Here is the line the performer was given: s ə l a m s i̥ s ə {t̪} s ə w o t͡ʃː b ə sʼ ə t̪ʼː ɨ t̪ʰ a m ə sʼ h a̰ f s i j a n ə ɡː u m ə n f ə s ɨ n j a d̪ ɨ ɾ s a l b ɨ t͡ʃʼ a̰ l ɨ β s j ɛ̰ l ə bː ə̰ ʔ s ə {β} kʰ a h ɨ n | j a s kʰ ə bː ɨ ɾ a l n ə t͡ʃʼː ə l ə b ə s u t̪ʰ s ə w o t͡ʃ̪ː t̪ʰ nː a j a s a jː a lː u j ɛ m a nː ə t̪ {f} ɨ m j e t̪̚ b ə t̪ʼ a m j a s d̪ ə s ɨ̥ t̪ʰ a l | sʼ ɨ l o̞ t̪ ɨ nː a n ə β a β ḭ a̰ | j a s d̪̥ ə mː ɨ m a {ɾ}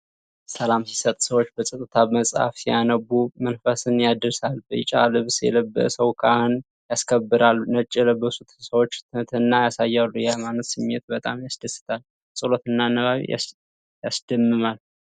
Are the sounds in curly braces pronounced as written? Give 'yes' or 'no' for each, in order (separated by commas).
no, no, no, no